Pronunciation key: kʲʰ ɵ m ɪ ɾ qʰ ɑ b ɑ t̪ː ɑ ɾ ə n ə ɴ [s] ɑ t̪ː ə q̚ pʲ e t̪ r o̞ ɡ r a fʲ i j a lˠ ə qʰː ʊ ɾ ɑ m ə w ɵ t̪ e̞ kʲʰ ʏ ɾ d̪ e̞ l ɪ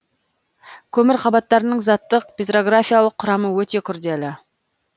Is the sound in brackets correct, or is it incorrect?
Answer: incorrect